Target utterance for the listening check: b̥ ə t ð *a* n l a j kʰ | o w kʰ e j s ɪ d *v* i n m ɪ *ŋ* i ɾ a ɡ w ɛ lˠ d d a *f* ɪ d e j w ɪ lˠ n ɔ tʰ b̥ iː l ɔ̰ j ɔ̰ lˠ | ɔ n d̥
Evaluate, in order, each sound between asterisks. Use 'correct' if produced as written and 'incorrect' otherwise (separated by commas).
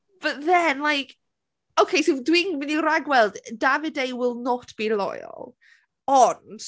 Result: incorrect, incorrect, incorrect, incorrect